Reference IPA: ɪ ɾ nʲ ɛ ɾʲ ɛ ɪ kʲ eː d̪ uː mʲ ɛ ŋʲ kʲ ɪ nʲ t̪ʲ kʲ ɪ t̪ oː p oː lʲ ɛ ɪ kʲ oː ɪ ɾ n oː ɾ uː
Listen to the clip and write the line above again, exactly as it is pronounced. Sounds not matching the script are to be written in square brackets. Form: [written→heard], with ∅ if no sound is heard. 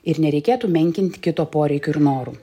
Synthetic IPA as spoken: ɪ ɾ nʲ ɛ ɾʲ ɛ ɪ kʲ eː [d̪→t̪] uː mʲ ɛ ŋʲ kʲ ɪ nʲ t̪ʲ kʲ ɪ t̪ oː p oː [lʲ→ɾʲ] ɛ ɪ kʲ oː ɪ ɾ n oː ɾ uː